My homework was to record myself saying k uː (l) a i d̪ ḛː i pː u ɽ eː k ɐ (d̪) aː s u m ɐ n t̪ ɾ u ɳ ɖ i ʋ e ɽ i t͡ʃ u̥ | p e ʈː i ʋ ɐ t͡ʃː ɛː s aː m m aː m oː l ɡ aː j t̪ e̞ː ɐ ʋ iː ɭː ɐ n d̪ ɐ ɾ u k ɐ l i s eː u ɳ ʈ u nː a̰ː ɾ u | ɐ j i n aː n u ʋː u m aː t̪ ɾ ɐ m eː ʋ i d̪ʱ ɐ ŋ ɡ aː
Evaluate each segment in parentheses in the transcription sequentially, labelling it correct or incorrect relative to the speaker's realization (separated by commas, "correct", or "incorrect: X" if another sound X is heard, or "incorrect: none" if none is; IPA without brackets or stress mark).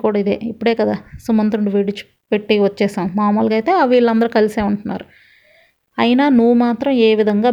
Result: incorrect: ɽ, correct